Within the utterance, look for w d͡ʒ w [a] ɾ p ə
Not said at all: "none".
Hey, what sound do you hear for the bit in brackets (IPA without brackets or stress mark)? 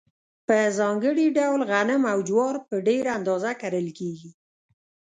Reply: ɑ